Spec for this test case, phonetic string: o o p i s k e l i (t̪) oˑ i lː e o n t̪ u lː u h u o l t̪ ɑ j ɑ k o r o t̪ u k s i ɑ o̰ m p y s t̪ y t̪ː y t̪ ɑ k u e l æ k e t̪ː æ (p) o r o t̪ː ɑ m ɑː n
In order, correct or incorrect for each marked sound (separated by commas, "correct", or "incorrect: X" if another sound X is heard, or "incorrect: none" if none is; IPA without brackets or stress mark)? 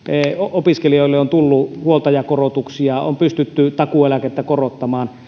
incorrect: none, incorrect: k